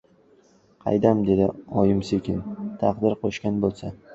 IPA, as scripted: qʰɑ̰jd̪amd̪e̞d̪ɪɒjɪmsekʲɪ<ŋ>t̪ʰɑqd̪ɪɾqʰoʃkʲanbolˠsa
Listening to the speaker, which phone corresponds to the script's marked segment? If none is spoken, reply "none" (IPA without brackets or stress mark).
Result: n